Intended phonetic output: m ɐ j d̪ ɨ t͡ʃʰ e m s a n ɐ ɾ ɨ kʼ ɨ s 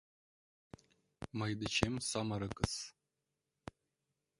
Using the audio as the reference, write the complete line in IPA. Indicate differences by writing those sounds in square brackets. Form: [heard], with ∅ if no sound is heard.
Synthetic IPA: m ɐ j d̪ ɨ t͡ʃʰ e m s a [m] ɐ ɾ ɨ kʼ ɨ s